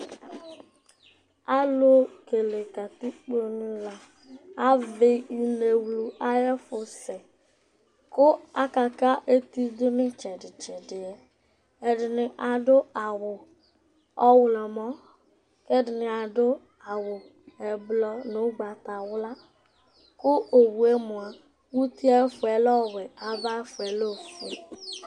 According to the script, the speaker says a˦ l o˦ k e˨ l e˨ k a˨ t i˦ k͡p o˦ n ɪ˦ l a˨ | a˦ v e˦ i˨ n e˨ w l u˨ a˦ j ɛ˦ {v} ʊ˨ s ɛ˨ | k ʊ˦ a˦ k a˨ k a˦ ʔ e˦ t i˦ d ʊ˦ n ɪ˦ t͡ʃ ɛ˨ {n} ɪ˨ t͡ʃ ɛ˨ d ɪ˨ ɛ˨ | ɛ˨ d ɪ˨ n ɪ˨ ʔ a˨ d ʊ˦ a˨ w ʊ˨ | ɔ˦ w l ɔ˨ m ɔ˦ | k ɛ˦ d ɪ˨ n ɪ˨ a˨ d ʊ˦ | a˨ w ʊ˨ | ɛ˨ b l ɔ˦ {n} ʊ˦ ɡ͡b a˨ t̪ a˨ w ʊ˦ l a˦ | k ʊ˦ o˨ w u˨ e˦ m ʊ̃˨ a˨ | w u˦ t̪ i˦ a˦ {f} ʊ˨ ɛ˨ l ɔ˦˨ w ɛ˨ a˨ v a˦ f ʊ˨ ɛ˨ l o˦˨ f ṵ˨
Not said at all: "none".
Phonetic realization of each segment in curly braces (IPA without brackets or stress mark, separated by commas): f, d, n, f